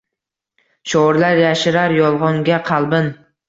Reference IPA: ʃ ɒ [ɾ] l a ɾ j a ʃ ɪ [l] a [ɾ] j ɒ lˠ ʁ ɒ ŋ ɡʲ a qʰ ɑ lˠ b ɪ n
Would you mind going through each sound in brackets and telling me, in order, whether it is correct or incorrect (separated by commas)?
correct, incorrect, correct